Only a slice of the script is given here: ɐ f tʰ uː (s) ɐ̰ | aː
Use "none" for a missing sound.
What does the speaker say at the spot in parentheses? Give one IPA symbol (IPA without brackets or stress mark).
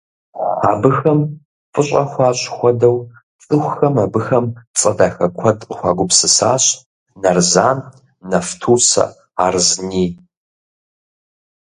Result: s